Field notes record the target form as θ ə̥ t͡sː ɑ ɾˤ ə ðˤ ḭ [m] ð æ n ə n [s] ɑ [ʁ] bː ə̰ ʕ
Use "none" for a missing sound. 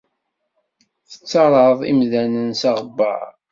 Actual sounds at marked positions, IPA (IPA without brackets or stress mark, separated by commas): m, s, ʁ